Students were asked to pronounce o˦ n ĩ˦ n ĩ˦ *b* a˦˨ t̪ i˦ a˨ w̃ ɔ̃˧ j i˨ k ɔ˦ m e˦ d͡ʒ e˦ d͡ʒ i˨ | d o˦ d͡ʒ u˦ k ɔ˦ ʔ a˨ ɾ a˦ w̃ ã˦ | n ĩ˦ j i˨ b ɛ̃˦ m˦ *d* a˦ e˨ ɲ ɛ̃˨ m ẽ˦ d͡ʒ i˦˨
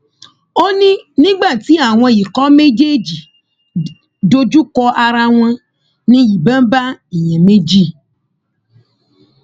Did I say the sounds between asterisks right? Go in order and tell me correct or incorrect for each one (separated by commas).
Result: incorrect, incorrect